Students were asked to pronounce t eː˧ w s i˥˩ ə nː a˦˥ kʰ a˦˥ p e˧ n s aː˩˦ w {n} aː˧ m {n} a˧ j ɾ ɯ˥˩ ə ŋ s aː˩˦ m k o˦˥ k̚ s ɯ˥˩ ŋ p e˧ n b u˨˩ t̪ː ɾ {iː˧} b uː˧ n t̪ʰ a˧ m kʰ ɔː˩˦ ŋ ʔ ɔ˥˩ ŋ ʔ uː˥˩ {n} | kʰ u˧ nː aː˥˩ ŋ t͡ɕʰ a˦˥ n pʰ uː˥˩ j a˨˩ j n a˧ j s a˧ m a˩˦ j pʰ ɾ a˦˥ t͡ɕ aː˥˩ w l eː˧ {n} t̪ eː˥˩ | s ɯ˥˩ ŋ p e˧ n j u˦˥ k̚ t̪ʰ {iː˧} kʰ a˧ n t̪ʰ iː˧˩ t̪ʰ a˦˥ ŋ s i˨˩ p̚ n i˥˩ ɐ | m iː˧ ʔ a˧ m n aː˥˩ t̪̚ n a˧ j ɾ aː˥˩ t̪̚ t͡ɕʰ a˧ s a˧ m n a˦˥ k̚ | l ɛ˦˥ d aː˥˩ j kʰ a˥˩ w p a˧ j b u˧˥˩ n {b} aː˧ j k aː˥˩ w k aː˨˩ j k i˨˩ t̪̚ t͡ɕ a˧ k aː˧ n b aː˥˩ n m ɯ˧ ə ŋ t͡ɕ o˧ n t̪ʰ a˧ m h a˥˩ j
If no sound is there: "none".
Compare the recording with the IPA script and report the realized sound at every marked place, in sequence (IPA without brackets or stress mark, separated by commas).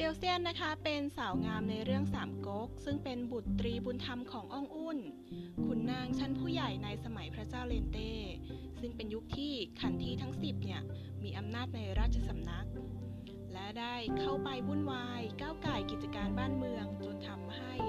ŋ, n, iː˧, n, n, iː˥˩, w